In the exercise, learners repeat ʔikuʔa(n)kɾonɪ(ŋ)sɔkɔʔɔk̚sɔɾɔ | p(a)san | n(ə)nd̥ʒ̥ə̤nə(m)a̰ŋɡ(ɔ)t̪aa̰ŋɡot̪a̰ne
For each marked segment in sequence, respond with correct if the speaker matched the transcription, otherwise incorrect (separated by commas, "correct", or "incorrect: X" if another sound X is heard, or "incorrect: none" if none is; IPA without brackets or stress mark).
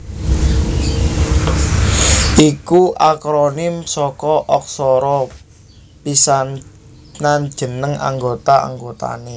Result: incorrect: none, incorrect: m, incorrect: i, incorrect: a, incorrect: ŋ, incorrect: o